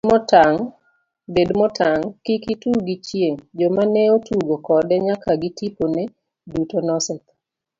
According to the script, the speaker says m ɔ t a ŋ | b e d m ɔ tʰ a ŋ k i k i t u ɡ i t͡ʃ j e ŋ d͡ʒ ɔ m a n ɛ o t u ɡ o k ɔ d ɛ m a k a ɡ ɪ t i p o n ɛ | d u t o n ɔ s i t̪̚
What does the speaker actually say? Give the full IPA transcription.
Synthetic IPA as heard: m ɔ t a ŋ | b e d m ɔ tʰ a ŋ k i k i t u ɡ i t͡ʃ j e ŋ d͡ʒ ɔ m a n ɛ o t u ɡ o k ɔ d ɛ ɲ a k a ɡ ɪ t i p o n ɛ | d u t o n ɔ s ɛ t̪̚

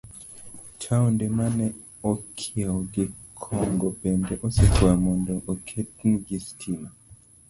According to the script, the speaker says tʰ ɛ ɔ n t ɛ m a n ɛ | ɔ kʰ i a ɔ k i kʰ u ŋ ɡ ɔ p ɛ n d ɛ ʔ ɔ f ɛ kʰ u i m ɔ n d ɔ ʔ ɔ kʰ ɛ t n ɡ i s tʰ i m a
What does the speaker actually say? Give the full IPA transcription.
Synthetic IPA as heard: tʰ a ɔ n d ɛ m a n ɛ | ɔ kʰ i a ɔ ɡ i kʰ ɔ ŋ ɡ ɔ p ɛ n d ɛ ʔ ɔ s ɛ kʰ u a m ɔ n d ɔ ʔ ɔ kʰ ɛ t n ɡ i s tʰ i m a

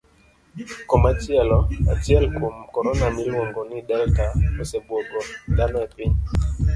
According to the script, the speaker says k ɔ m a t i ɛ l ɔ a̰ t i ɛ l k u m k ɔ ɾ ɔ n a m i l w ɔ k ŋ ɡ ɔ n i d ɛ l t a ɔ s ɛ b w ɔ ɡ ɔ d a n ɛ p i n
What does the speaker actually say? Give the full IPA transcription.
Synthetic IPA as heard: k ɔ m a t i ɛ l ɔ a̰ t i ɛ l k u m k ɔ ɾ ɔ n a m i l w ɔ ŋ ɡ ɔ n i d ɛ l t a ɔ s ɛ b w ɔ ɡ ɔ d a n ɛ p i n

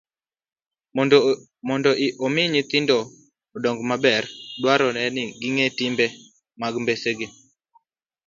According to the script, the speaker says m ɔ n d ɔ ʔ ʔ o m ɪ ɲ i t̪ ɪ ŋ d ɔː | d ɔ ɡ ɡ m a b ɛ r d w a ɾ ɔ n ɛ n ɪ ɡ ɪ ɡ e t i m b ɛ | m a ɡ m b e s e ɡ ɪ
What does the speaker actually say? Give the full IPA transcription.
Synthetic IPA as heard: m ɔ n d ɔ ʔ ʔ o m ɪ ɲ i t̪ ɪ n d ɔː | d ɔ ŋ ɡ m a b ɛ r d w a ɾ ɔ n ɛ n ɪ ɡ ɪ ŋ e t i m b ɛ | m a ɡ m b e s e ɡ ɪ

